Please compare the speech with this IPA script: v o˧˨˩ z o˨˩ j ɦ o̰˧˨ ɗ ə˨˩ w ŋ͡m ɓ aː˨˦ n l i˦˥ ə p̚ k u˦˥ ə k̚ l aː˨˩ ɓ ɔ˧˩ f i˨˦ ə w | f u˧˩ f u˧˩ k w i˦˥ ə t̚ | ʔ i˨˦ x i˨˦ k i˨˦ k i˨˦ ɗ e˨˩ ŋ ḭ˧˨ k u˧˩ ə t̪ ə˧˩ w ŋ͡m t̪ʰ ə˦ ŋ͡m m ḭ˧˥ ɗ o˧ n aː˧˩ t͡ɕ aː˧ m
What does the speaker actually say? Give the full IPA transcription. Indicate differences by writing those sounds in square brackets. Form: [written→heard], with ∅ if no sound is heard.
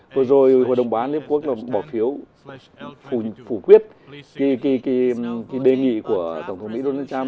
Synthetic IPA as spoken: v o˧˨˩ z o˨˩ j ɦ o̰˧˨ ɗ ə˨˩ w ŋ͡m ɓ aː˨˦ n l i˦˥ ə p̚ k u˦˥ ə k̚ l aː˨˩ ɓ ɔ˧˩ f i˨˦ ə w | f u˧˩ f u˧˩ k w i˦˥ ə t̚ | [ʔ→k] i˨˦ [x→k] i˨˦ k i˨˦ k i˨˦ ɗ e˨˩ ŋ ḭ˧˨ k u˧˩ ə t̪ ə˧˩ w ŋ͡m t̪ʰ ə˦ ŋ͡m m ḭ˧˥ ɗ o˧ n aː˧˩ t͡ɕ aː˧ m